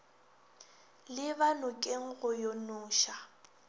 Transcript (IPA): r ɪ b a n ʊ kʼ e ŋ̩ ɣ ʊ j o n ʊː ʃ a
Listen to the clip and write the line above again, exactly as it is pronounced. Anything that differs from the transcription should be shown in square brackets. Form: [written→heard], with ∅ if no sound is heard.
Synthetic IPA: [r→l] ɪ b a n ʊ kʼ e ŋ̩ ɣ ʊ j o n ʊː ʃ a